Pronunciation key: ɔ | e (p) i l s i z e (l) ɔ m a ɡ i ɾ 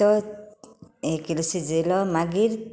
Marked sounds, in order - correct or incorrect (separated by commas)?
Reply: incorrect, correct